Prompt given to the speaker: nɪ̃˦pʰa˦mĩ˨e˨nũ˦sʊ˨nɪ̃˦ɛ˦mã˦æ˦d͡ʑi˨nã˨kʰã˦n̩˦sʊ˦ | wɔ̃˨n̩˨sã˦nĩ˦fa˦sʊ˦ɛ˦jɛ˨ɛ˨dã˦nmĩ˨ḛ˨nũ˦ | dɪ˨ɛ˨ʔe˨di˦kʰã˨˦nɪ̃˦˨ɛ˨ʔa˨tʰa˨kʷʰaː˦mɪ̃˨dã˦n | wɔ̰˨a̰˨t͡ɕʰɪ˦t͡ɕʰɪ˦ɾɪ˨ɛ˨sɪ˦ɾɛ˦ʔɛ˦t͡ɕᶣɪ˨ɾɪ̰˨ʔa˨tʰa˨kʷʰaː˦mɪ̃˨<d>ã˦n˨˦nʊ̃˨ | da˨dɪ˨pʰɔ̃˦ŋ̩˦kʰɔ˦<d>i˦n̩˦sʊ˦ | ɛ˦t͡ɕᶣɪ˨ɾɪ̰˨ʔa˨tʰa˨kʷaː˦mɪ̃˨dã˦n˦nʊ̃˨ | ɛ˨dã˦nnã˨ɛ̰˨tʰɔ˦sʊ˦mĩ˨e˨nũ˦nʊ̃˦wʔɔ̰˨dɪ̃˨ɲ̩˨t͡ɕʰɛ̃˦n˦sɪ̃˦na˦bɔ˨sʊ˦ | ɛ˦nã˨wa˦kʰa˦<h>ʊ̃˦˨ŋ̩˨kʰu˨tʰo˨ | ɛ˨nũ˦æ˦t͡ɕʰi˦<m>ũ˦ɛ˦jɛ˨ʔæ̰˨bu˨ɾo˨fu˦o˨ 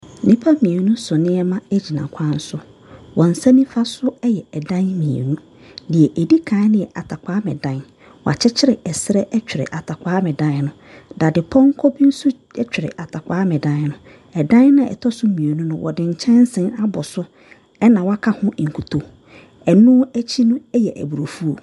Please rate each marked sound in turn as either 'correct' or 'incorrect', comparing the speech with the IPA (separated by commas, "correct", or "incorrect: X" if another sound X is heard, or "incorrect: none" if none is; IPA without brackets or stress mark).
correct, incorrect: b, correct, incorrect: n